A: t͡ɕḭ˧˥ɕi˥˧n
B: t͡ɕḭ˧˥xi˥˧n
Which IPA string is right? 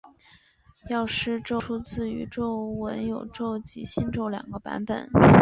A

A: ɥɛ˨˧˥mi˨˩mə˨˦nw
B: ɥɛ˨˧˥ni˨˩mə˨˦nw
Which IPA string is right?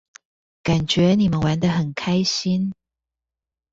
B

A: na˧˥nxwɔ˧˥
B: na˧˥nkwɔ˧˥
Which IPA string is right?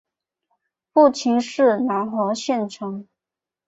A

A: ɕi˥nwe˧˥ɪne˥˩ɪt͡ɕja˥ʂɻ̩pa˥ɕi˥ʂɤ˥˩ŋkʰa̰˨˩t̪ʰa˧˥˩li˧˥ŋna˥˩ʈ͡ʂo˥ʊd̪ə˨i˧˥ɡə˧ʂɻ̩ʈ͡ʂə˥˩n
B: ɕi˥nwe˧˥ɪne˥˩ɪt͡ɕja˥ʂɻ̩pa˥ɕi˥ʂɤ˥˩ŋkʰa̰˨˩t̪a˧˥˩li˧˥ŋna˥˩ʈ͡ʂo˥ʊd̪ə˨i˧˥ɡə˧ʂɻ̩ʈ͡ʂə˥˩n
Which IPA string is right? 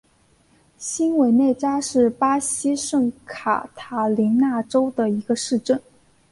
A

